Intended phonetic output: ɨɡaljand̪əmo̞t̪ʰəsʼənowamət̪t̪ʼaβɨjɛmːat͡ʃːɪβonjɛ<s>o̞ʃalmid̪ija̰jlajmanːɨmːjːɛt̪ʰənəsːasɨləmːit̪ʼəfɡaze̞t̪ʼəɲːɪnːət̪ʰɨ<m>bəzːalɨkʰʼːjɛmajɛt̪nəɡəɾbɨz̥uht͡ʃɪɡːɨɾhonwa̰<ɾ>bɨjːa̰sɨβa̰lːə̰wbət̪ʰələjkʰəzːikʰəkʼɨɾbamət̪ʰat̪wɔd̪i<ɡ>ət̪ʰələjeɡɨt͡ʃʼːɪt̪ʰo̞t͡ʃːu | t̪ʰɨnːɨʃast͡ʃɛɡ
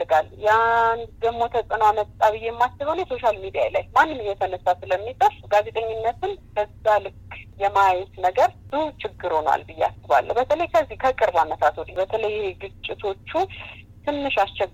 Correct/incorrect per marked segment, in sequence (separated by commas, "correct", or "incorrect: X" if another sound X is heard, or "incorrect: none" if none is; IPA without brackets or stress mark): correct, incorrect: n, incorrect: l, incorrect: b